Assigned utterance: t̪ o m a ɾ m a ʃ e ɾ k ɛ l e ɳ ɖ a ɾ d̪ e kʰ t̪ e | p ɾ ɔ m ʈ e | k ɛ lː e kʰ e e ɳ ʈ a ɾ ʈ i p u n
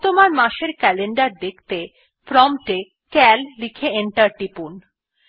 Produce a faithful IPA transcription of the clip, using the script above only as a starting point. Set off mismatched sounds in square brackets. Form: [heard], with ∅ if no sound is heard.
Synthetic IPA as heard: t̪ o m a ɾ m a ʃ e ɾ k ɛ l e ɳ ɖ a ɾ d̪ e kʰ t̪ e | p ɾ ɔ m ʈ e | k ɛ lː [i] kʰ e e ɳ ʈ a ɾ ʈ i p u n